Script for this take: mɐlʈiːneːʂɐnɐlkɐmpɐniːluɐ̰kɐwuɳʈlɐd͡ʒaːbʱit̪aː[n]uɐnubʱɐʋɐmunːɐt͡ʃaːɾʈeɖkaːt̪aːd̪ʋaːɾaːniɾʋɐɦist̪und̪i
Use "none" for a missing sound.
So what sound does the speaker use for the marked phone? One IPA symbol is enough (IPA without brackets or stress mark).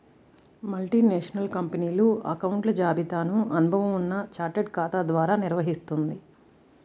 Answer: n